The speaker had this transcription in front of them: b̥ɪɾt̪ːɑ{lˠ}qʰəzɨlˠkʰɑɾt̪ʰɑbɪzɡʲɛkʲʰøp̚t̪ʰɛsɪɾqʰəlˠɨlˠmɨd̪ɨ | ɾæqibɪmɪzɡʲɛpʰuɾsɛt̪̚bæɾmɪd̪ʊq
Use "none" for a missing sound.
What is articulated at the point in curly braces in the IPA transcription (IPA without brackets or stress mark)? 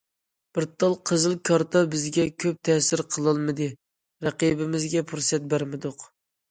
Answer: lˠ